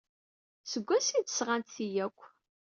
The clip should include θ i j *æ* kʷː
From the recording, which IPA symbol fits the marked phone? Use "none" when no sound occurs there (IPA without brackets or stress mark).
æ